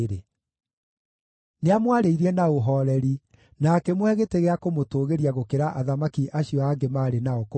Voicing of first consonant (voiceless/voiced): voiced